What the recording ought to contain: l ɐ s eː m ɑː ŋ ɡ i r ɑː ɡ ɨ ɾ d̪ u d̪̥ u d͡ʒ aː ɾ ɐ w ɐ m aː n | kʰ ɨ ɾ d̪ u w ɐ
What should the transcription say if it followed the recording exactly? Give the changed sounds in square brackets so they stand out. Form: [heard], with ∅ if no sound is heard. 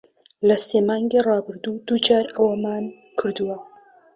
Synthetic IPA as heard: l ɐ s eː m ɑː ŋ ɡ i r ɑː [b] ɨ ɾ d̪ u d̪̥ u d͡ʒ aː ɾ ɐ w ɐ m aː n | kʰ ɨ ɾ d̪ u w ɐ